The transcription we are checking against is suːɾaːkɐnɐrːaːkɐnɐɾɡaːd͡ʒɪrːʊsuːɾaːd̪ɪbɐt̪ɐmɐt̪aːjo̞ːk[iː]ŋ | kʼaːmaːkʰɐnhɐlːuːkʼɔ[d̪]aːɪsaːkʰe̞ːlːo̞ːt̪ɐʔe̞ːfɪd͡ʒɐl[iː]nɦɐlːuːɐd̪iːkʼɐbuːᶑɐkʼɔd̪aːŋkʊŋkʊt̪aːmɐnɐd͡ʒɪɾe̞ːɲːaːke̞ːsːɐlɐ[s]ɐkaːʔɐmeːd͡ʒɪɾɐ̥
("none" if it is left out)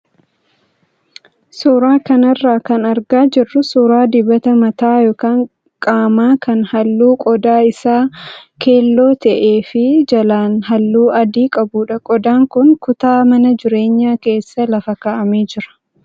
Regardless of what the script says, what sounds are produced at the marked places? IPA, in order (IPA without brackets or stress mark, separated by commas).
aː, d̪, aː, f